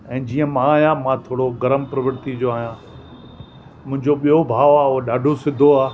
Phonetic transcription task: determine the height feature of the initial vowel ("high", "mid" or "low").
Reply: mid